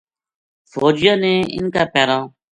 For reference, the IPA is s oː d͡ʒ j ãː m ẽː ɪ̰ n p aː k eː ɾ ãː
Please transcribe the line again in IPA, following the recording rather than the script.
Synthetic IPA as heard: f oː d͡ʒ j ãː n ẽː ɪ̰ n k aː p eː ɾ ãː